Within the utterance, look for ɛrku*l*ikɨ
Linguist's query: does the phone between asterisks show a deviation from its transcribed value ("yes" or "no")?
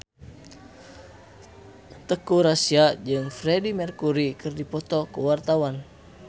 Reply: yes